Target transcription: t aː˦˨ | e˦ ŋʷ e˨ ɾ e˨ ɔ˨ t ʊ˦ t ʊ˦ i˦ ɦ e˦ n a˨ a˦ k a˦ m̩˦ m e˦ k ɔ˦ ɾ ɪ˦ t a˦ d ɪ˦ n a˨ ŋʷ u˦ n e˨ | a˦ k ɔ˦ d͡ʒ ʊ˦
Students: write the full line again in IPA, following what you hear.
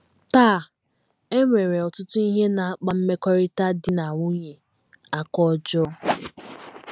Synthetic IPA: t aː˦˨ | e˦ ŋʷ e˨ ɾ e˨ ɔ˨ t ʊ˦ t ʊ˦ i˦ ɦ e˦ n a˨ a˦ k͡p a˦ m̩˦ m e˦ k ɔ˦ ɾ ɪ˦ t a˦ d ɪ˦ n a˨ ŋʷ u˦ ɲ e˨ | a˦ k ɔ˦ d͡ʒ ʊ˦